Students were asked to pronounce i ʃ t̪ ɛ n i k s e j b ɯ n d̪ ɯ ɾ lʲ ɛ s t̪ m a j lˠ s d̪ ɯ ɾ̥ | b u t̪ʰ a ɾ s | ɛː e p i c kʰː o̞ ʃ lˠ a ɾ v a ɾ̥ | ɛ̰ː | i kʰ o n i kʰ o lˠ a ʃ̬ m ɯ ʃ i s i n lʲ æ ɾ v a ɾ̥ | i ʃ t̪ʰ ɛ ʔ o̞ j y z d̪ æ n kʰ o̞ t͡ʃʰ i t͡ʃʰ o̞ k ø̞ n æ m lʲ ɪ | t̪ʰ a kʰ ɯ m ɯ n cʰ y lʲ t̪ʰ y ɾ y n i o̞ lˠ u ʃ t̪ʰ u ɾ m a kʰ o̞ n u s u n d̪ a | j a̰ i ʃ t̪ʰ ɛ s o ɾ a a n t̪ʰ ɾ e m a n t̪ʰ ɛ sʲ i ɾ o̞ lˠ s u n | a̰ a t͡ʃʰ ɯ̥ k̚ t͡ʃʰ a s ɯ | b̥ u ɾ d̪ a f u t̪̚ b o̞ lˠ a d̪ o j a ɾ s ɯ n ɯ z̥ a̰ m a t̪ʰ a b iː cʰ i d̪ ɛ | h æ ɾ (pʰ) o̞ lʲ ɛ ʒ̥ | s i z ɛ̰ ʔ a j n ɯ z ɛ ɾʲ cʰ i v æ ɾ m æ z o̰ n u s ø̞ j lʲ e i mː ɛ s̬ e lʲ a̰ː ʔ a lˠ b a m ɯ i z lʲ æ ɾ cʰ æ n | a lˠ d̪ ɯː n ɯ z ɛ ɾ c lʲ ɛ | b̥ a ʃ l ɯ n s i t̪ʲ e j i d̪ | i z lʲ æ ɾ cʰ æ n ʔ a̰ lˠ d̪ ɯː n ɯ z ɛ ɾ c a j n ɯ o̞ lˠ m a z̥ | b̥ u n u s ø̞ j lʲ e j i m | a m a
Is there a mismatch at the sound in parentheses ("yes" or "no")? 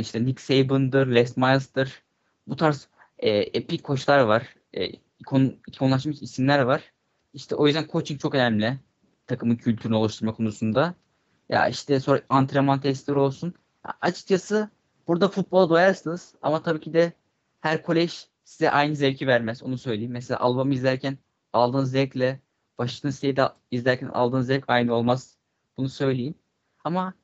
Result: yes